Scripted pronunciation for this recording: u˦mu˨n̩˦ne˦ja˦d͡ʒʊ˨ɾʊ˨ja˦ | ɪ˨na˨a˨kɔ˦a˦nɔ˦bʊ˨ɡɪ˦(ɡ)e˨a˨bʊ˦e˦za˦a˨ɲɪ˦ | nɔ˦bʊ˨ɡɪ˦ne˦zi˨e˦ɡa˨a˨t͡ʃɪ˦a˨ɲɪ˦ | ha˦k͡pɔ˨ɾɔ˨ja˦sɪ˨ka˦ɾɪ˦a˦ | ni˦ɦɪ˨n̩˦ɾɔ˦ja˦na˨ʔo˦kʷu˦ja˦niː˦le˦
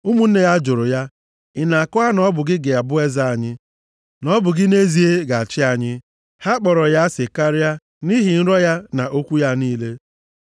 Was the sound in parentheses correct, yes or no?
yes